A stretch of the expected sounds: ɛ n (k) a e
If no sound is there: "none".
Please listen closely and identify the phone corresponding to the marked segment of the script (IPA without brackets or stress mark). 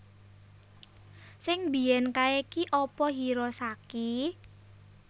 k